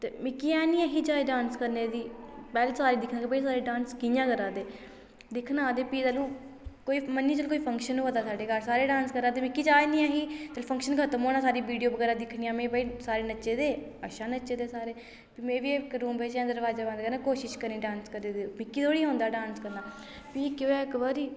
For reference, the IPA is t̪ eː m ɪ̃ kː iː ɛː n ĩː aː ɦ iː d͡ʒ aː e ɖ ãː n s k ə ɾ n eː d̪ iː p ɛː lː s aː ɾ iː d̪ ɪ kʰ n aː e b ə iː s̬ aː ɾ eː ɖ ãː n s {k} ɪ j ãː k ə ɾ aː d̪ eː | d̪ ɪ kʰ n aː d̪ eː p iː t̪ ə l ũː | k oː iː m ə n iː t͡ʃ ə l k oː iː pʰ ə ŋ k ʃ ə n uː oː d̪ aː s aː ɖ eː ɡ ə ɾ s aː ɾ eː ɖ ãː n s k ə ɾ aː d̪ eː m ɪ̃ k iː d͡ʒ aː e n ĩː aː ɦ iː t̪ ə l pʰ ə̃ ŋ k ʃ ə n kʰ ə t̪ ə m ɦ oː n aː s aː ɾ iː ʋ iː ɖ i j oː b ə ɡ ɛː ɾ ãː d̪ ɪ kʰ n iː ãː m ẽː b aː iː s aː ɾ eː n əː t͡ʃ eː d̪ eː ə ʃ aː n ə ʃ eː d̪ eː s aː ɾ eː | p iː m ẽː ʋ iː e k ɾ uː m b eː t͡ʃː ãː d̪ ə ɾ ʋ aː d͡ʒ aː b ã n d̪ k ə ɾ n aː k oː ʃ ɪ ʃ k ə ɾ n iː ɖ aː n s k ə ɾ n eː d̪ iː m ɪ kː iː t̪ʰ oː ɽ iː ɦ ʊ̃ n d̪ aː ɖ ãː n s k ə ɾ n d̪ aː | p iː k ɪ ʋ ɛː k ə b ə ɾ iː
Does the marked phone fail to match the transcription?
no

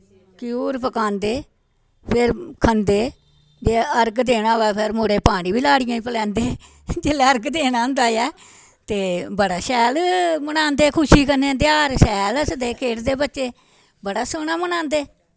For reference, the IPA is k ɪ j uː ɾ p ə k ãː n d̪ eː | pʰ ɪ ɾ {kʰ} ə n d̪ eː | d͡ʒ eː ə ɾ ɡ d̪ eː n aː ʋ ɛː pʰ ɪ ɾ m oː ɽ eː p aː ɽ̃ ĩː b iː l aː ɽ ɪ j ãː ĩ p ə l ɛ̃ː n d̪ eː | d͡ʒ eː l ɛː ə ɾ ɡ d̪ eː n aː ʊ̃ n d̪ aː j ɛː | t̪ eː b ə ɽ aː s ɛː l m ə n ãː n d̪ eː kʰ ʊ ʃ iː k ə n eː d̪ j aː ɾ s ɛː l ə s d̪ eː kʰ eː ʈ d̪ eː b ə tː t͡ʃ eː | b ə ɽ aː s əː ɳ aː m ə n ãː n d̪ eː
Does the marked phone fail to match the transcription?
no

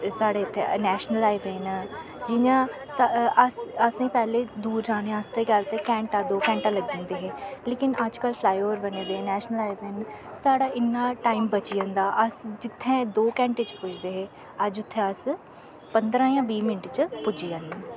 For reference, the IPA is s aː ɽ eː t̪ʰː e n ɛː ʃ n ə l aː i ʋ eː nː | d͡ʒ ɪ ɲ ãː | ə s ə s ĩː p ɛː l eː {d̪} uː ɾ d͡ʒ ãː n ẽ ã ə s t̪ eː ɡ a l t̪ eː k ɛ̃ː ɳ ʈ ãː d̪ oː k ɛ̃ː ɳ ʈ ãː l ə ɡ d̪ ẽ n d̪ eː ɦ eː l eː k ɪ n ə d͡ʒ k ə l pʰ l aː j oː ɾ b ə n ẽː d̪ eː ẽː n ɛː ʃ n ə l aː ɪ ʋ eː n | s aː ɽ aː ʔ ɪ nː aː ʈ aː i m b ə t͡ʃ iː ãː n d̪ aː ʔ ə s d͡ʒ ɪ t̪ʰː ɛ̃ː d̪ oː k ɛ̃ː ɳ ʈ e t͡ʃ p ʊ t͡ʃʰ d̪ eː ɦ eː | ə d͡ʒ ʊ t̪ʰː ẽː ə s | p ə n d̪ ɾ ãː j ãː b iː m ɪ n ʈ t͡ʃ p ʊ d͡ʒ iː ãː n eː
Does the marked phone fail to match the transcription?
no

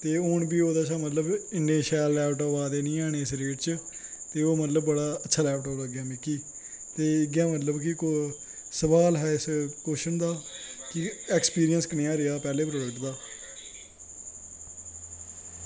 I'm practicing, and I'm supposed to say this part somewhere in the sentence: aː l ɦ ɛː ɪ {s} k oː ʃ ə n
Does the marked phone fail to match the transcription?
no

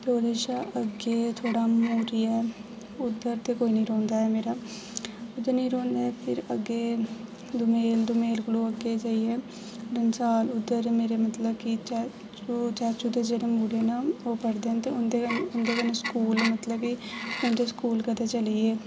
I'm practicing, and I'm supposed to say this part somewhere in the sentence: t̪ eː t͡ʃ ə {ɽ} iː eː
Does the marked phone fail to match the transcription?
yes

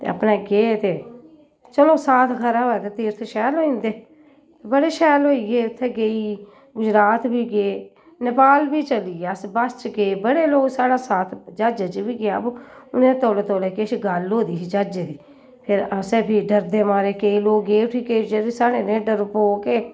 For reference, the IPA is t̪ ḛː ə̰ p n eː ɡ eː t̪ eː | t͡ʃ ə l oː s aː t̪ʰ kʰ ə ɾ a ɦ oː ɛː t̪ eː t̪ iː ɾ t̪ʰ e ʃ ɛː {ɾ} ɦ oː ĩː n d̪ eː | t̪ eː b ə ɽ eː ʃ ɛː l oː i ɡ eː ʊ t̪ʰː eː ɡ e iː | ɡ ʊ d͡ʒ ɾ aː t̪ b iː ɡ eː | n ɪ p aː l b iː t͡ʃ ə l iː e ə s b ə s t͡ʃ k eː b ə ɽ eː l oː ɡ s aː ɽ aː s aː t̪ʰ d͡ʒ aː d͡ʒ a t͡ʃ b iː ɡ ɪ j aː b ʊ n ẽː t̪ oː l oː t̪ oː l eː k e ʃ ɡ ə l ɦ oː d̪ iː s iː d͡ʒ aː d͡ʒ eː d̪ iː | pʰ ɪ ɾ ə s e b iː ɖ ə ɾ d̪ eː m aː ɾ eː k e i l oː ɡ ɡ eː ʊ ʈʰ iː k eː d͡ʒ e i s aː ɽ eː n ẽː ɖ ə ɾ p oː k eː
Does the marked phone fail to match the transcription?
yes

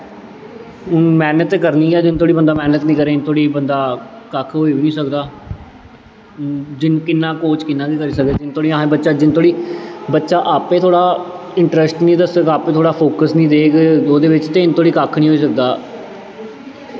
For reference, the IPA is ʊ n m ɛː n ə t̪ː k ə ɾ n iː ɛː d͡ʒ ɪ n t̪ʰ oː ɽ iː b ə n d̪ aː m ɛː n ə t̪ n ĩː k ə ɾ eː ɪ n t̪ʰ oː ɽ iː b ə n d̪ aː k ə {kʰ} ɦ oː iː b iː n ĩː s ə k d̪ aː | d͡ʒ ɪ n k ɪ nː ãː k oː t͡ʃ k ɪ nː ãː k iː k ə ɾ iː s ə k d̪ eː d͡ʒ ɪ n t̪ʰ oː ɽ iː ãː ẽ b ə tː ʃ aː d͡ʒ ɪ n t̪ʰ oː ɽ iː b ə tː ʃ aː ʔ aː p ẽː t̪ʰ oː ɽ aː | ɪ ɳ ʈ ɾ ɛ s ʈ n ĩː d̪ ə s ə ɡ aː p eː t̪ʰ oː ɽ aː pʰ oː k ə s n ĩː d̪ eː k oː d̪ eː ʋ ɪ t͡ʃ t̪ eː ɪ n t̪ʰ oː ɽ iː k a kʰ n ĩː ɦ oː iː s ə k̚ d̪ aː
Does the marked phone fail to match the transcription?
no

